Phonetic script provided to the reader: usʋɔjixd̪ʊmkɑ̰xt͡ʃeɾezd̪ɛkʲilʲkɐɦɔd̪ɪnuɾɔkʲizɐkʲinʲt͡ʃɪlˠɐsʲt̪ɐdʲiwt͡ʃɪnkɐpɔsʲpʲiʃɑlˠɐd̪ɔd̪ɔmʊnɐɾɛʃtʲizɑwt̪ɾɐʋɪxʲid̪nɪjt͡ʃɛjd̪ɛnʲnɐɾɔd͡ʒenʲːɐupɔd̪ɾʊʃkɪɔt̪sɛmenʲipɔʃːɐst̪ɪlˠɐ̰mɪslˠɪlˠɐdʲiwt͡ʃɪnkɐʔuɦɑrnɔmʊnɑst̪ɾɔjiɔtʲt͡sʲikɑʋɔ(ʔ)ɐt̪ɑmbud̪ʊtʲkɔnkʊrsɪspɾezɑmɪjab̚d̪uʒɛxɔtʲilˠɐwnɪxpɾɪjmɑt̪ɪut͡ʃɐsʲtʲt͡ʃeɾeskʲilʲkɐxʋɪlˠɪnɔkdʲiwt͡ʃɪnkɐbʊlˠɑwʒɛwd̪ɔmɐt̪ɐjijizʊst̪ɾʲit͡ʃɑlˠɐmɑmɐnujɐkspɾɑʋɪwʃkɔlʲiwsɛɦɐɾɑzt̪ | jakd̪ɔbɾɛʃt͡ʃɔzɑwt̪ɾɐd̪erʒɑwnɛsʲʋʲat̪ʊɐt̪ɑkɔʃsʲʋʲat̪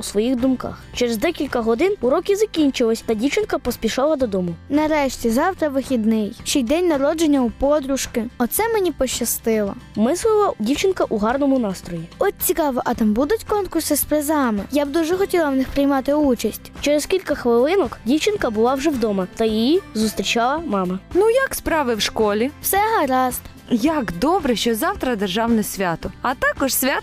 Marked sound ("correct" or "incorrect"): correct